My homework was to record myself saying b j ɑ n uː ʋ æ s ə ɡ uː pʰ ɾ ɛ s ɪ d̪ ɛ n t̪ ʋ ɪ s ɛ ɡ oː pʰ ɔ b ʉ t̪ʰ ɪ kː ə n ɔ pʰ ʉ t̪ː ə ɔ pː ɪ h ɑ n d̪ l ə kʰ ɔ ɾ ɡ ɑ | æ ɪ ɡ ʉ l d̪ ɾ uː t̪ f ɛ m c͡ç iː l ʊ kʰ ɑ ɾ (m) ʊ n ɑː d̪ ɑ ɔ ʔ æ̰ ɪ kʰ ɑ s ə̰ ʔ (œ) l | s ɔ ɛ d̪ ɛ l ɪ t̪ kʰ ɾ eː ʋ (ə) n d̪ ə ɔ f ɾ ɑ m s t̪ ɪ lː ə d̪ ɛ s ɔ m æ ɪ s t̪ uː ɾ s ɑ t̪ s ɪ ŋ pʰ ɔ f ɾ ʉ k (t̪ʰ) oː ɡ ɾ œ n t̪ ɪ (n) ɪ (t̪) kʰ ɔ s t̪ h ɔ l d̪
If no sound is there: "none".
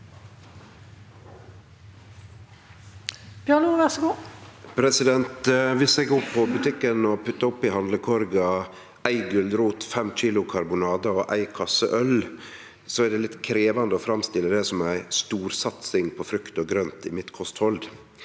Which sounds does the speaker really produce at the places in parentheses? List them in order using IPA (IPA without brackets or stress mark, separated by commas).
b, œ, ɑ, t̪, m, t̪